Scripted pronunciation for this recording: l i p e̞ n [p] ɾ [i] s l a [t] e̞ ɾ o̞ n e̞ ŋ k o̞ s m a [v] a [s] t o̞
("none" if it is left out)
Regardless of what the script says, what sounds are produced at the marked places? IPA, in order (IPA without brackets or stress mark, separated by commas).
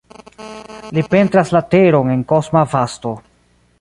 t, a, t, v, s